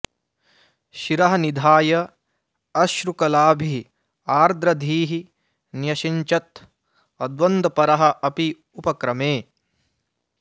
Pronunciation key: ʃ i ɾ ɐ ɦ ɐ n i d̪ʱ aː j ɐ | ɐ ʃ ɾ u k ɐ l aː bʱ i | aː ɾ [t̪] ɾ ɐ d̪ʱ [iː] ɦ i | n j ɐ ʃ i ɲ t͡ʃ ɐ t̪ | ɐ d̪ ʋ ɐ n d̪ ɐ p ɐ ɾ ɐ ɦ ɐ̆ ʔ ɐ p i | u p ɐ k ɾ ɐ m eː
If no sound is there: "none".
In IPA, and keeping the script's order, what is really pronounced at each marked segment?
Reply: d̪, iː

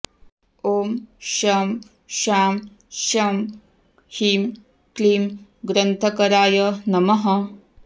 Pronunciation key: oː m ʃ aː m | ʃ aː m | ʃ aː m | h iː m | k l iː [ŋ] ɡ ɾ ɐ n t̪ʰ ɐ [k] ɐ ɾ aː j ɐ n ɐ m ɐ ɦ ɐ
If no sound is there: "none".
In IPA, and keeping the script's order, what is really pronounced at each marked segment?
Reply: m, k

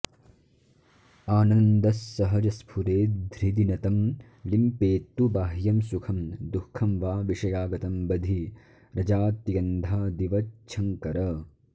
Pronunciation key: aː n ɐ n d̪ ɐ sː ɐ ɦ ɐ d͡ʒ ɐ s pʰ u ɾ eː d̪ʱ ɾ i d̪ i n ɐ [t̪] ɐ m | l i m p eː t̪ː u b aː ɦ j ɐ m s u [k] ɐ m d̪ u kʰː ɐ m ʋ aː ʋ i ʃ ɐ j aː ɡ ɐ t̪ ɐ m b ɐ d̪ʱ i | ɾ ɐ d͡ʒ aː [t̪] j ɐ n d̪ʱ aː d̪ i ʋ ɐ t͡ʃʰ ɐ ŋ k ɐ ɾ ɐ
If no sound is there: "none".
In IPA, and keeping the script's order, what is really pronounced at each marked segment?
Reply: t̪, kʰ, t̪

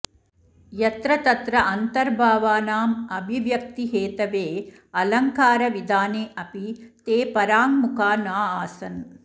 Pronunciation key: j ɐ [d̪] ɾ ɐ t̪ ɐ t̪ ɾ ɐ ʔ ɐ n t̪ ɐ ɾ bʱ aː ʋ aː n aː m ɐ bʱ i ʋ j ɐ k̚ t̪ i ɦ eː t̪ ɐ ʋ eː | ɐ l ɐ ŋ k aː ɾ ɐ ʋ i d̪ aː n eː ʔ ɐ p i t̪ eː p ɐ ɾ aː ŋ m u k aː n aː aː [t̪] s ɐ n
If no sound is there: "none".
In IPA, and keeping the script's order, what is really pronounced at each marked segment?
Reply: t̪, none

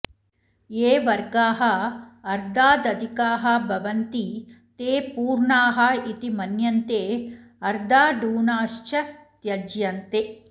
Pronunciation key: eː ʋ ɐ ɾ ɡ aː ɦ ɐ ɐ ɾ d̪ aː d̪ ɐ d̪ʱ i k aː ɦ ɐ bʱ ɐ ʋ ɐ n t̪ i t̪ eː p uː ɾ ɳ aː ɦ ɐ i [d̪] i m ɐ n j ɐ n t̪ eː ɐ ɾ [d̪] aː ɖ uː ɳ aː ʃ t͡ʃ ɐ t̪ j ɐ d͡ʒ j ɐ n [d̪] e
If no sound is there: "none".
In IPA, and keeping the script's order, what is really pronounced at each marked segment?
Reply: t̪, d̪, t̪

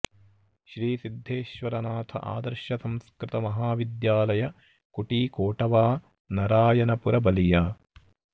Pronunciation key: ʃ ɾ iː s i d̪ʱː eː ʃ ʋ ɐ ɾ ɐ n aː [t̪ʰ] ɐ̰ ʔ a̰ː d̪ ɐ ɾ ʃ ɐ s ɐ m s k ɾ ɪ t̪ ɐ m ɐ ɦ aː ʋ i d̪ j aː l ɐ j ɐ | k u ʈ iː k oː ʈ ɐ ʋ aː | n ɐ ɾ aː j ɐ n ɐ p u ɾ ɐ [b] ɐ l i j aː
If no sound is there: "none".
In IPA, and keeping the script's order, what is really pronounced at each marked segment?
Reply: t̪ʰ, b

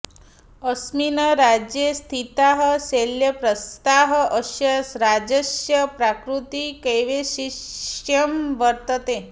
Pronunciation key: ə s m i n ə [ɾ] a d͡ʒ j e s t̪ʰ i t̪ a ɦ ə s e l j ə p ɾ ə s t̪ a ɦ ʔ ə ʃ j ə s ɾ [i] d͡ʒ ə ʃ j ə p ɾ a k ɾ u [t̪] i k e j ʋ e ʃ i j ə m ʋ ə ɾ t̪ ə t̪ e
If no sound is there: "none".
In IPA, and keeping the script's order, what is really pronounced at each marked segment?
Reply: ɾ, a, t̪

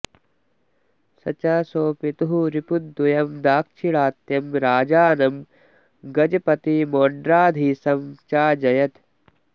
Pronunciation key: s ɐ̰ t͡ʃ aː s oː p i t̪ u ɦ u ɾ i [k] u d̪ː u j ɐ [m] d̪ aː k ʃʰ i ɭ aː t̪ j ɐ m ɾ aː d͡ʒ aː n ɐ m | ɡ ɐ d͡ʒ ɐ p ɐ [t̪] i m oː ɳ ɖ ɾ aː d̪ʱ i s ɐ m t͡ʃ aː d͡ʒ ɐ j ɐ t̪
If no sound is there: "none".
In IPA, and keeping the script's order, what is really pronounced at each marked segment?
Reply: p, m, t̪

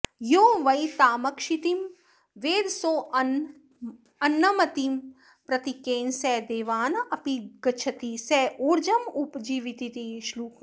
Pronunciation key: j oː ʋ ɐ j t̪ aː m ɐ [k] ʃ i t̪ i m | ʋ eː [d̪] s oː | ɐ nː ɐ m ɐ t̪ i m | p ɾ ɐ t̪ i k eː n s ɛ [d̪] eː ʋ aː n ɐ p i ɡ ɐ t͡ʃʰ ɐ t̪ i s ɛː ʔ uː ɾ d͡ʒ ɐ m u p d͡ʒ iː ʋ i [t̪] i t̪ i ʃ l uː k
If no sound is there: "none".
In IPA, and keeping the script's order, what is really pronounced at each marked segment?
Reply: k, d̪, d̪, t̪

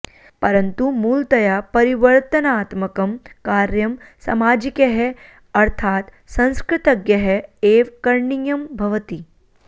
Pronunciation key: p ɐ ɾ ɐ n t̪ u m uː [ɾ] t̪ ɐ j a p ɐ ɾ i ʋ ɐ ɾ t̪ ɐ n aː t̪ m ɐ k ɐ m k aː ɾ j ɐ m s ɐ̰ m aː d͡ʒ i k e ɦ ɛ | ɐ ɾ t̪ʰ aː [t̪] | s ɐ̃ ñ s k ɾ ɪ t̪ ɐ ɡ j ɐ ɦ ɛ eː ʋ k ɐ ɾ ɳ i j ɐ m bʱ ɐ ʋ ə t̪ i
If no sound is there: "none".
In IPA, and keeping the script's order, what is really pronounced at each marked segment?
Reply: l, t̪

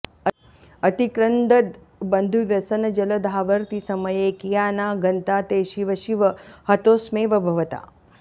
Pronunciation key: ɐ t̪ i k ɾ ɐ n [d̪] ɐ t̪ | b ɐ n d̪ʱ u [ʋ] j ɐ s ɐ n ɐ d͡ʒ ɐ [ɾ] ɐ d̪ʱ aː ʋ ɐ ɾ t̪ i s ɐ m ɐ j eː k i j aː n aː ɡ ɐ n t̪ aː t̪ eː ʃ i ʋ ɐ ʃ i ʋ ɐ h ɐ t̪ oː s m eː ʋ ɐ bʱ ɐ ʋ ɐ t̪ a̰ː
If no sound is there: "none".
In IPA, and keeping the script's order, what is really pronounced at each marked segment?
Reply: d̪, ʋ, l

